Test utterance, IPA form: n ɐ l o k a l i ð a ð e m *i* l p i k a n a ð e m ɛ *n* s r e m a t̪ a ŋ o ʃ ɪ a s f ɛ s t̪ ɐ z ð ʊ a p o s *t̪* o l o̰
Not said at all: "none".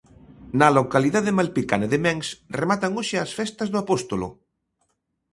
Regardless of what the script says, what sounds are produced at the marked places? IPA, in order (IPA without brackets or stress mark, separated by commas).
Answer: a, ŋ, t̪